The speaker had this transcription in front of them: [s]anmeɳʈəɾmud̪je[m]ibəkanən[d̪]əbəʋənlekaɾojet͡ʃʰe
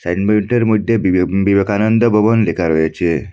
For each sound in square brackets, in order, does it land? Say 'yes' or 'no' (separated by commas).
yes, no, yes